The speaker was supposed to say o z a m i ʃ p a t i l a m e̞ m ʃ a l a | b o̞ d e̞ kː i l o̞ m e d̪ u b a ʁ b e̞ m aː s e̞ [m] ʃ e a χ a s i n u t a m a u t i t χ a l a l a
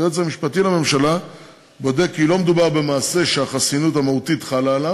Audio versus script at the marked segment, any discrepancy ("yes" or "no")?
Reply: yes